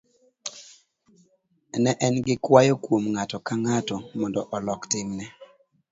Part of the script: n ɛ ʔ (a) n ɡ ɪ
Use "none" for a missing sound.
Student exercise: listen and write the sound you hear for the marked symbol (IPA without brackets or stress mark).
ɛ